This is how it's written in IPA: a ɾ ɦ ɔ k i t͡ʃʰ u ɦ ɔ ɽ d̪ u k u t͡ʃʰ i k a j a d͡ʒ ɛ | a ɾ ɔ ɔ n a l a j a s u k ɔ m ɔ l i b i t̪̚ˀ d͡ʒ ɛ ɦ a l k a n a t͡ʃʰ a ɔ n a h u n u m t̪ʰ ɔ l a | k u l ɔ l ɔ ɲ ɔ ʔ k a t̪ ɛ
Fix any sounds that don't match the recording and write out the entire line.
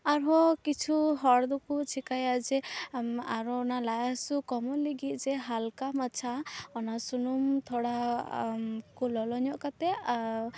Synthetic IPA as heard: a ɾ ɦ ɔ k i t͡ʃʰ u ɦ ɔ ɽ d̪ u k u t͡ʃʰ i k a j a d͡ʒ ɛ | a ɾ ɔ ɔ n a l a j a s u k ɔ m ɔ l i ɡ i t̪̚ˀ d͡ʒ ɛ ɦ a l k a m a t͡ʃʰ a ɔ n a s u n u m t̪ʰ ɔ ɽ a | k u l ɔ l ɔ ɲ ɔ ʔ k a t̪ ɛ